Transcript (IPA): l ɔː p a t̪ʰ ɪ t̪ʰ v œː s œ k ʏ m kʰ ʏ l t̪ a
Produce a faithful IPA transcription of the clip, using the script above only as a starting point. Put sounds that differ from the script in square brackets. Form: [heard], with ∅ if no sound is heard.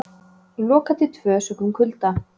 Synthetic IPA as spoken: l ɔː [k] a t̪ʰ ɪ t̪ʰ v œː s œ k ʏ m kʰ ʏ l t̪ a